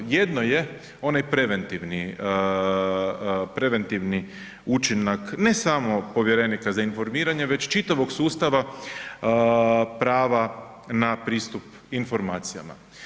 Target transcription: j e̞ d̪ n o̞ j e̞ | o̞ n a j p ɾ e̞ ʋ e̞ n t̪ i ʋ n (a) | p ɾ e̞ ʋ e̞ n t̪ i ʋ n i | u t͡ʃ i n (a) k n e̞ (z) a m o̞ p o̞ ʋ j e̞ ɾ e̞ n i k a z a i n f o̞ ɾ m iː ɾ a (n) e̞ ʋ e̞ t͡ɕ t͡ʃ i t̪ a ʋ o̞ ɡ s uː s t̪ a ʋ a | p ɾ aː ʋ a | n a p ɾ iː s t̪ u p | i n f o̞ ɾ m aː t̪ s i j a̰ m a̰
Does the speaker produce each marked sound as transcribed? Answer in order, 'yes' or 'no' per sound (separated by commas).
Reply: no, yes, no, no